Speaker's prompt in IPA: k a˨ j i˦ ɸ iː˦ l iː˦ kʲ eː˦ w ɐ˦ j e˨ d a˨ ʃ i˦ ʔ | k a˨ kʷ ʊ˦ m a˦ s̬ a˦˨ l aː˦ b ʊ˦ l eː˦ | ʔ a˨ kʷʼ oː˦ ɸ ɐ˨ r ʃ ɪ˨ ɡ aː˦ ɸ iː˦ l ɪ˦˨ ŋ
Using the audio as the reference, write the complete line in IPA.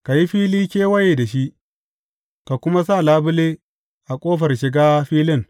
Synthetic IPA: k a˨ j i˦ ɸ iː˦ l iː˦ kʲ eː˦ w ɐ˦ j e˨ d a˨ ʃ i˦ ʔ | k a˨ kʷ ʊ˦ m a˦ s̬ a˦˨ l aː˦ b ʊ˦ l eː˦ | ʔ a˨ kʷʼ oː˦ ɸ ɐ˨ r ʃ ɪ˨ ɡ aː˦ ɸ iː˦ l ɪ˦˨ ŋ